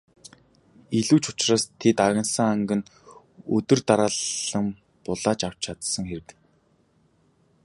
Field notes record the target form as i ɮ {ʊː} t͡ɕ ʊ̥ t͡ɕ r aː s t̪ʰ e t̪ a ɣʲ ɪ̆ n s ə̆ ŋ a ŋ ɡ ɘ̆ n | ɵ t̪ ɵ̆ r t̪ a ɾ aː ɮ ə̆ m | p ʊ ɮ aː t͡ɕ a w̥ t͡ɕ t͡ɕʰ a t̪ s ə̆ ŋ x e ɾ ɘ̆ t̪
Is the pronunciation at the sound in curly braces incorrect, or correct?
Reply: incorrect